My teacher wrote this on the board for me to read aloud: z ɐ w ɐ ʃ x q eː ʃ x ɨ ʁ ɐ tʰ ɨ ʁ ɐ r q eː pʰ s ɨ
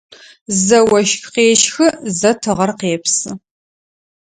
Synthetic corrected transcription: z ɐ w ɐ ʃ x q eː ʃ x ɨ z ɐ tʰ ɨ ʁ ɐ r q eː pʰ s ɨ